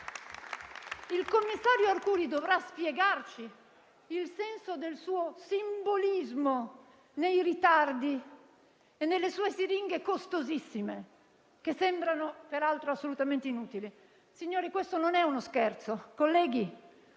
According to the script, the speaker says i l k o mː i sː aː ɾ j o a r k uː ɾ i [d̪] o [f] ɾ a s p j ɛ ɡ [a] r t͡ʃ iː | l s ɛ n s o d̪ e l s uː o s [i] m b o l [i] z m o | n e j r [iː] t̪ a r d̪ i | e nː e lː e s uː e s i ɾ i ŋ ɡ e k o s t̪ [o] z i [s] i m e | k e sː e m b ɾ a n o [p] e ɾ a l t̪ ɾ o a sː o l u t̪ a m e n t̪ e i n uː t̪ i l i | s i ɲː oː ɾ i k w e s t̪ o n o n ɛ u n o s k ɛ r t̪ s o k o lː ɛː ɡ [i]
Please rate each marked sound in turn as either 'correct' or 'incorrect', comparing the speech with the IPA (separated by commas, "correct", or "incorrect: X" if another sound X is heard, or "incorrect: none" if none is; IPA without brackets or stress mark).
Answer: correct, incorrect: v, correct, correct, correct, incorrect: i, correct, incorrect: sː, correct, correct